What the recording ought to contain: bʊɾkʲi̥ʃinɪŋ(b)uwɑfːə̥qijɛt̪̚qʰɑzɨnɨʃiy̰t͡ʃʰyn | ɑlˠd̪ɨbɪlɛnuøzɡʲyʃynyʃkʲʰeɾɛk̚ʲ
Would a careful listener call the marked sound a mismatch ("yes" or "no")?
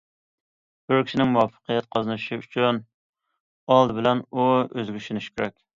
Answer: yes